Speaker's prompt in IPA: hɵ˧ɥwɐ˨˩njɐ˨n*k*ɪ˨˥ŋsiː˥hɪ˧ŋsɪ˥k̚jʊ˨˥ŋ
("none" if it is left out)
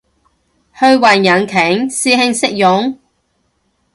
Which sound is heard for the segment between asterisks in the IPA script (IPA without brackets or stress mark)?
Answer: kʰ